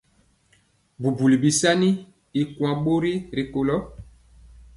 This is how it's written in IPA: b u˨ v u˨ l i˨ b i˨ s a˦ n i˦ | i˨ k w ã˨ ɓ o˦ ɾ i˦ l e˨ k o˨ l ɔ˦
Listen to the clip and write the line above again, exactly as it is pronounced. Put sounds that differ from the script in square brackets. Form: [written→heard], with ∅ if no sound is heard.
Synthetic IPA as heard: b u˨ [v→b] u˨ l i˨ b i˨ s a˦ n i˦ | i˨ k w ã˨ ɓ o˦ ɾ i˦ [l→ɾ] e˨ k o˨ l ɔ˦